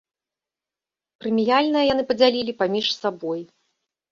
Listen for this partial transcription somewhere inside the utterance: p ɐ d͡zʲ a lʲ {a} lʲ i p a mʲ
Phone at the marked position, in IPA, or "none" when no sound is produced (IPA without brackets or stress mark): i